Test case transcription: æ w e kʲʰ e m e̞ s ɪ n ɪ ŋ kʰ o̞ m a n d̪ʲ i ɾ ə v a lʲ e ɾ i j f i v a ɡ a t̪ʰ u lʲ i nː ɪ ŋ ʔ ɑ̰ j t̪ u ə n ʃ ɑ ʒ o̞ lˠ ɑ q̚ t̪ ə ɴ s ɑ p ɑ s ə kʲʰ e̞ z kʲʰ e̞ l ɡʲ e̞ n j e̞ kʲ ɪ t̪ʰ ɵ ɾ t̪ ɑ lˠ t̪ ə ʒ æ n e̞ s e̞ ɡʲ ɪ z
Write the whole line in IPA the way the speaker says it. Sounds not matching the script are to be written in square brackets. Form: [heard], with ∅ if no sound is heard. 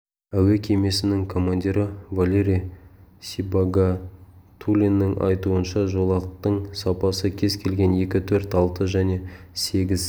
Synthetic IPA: æ w e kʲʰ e m e̞ s ɪ n ɪ ŋ kʰ o̞ m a n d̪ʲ i ɾ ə v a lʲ e ɾ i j [s] i [b] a ɡ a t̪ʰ u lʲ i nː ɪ ŋ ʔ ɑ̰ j t̪ u ə n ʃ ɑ ʒ o̞ lˠ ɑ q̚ t̪ ə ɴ s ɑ p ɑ s ə kʲʰ e̞ z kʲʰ e̞ l ɡʲ e̞ n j e̞ kʲ ɪ t̪ʰ ɵ ɾ t̪ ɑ lˠ t̪ ə ʒ æ n e̞ s e̞ ɡʲ ɪ z

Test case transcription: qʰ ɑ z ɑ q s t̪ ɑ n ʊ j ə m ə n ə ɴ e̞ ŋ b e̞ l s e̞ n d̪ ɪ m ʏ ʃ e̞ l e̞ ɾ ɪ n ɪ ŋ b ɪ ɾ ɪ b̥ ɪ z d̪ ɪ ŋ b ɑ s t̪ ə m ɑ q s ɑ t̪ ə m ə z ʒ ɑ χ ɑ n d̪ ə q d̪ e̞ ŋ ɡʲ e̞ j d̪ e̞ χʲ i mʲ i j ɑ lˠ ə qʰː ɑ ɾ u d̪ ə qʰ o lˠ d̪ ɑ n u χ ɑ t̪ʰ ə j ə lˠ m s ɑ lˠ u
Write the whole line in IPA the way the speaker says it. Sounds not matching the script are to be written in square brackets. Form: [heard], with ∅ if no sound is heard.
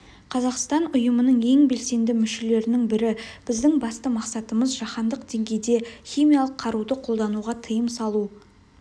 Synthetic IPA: qʰ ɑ z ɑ q s t̪ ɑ n ʊ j ə m ə n ə ɴ e̞ ŋ b e̞ l s e̞ n d̪ ɪ m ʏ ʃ e̞ l e̞ ɾ ɪ n ɪ ŋ b ɪ ɾ ɪ b̥ ɪ z d̪ ɪ ŋ b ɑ s t̪ ə m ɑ q s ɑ t̪ ə m ə z ʒ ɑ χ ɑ n d̪ ə q d̪ e̞ ŋ ɡʲ e̞ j d̪ e̞ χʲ i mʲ i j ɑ lˠ ə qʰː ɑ ɾ u d̪ ə qʰ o lˠ d̪ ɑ n u [ʁ] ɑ t̪ʰ ə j ə [∅] m s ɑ lˠ u

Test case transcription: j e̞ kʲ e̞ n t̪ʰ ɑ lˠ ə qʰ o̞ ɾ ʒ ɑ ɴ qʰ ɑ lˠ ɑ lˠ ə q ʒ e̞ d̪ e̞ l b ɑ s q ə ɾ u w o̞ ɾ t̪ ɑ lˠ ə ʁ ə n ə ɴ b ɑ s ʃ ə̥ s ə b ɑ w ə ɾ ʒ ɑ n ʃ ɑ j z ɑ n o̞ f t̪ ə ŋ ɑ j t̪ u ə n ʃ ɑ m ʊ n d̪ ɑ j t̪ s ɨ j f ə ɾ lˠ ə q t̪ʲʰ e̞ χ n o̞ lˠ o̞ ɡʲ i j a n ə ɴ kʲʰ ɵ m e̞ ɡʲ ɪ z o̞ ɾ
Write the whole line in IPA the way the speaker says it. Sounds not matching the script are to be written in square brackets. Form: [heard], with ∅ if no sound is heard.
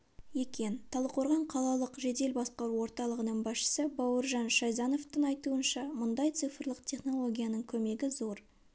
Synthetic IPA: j e̞ kʲ e̞ n t̪ʰ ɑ lˠ ə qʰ o̞ ɾ [ʁ] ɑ ɴ qʰ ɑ lˠ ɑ lˠ ə q ʒ e̞ d̪ e̞ l b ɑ s q [ɑ] ɾ u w o̞ ɾ t̪ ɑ lˠ ə ʁ ə n ə ɴ b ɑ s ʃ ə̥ s ə b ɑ w ə ɾ ʒ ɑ n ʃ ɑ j z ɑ n o̞ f t̪ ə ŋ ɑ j t̪ u ə n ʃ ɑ m ʊ n d̪ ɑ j t̪ s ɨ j f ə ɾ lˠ ə q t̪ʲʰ e̞ χ n o̞ lˠ o̞ ɡʲ i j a n ə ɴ kʲʰ ɵ m e̞ ɡʲ ɪ z o̞ ɾ

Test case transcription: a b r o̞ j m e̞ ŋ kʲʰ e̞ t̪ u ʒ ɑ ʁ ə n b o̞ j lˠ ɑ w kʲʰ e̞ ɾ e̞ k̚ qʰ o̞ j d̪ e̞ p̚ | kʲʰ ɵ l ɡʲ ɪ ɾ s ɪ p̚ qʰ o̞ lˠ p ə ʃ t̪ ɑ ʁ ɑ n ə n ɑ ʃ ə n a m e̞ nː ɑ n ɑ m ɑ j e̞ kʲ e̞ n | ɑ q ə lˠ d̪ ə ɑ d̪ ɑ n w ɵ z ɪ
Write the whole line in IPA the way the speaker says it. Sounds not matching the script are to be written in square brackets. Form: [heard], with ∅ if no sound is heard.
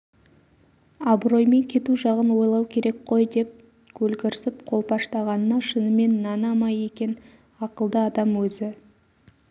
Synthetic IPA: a b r o̞ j m e̞ ŋ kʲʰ e̞ t̪ u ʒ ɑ ʁ ə n [w] o̞ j lˠ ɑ w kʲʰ e̞ ɾ e̞ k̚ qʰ o̞ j d̪ e̞ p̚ | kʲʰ ɵ l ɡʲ ɪ ɾ s ɪ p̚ qʰ o̞ lˠ p [ɑ] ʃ t̪ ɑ ʁ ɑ n ə n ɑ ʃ ə n [ə] m e̞ nː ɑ n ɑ m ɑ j e̞ kʲ e̞ n | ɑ q ə lˠ d̪ ə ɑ d̪ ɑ [m] w ɵ z ɪ

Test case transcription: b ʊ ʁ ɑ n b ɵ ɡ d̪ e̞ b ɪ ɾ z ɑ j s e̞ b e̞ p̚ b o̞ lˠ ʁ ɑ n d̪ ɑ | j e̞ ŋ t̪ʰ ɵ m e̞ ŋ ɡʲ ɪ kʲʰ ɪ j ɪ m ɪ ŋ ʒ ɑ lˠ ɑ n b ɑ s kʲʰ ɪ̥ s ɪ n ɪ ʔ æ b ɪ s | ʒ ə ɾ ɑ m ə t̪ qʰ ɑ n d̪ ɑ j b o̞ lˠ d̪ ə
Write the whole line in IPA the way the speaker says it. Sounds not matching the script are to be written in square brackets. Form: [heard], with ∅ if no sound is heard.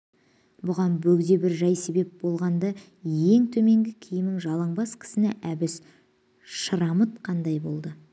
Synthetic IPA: b ʊ ʁ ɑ n b ɵ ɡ d̪ e̞ b ɪ ɾ [ʒ] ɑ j s e̞ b e̞ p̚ b o̞ lˠ ʁ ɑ n d̪ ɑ | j e̞ ŋ t̪ʰ ɵ m e̞ ŋ ɡʲ ɪ kʲʰ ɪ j ɪ m ɪ ŋ ʒ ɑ lˠ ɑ [ɴ] b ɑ s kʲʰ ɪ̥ s ɪ n ɪ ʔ æ b ɪ s | [ʃ] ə ɾ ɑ m ə t̪ qʰ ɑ n d̪ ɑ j b o̞ lˠ d̪ ə

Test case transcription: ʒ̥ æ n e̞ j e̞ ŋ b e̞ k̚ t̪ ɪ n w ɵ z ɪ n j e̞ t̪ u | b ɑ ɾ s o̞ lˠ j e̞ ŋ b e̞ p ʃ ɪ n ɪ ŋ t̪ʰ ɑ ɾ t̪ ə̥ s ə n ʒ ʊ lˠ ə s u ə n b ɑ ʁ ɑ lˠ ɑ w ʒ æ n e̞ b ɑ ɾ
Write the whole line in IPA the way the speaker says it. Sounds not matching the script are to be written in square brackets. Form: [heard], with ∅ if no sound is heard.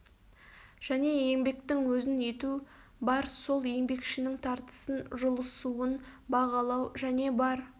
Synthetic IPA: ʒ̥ æ n e̞ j e̞ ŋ b e̞ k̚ t̪ ɪ [ŋ] w ɵ z ɪ n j e̞ t̪ u | b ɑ ɾ s o̞ lˠ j e̞ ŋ b e̞ [k] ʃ ɪ n ɪ ŋ t̪ʰ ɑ ɾ t̪ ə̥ s ə n ʒ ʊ lˠ ə s u ə n b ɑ ʁ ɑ lˠ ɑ w ʒ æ n e̞ b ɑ ɾ

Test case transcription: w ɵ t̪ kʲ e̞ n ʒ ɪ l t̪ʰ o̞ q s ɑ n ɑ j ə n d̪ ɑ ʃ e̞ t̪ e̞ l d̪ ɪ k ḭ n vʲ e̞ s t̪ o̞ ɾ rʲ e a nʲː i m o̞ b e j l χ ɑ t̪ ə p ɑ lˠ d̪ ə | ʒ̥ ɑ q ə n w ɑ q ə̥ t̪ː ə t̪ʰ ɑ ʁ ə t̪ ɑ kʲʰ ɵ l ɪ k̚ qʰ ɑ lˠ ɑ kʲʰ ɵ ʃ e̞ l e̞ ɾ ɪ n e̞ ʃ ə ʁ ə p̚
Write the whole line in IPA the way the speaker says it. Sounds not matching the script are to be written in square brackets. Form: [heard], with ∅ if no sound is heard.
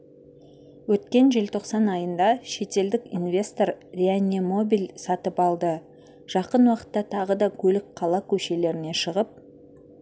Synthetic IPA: w ɵ t̪ kʲ e̞ n ʒ ɪ l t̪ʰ o̞ q s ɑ n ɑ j ə n d̪ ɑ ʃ e̞ t̪ e̞ l d̪ ɪ k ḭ n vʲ e̞ s t̪ o̞ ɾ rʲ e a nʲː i m o̞ b [i] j l [s] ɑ t̪ ə p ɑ lˠ d̪ ə | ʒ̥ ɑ q ə n w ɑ q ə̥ t̪ː [ɑ] t̪ʰ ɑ ʁ ə [d̪] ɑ kʲʰ ɵ l ɪ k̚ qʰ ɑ lˠ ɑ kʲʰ ɵ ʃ e̞ l e̞ ɾ ɪ n e̞ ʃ ə ʁ ə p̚

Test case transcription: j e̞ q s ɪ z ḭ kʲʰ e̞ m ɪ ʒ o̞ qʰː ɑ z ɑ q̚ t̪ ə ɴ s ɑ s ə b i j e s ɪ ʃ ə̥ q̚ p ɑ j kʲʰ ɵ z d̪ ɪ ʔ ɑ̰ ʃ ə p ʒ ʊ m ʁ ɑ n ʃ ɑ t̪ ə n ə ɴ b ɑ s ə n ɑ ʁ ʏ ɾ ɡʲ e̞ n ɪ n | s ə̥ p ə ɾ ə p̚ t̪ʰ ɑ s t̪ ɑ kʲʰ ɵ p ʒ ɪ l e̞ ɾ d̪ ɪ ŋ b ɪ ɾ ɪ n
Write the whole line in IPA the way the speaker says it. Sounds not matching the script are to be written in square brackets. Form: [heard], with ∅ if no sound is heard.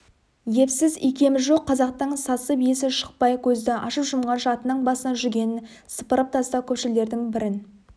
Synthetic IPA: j e̞ [p] s ɪ z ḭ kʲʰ e̞ m ɪ ʒ o̞ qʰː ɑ z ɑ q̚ t̪ ə ɴ s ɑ s ə b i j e s ɪ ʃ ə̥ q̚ p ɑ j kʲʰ ɵ z d̪ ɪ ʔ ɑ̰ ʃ ə p ʒ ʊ m ʁ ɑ n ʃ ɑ t̪ ə n ə ɴ b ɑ s ə n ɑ [ʒ] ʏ ɾ ɡʲ e̞ n ɪ n | s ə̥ p ə ɾ ə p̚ t̪ʰ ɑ s t̪ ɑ kʲʰ ɵ p [ʃ] ɪ l e̞ ɾ d̪ ɪ ŋ b ɪ ɾ ɪ n

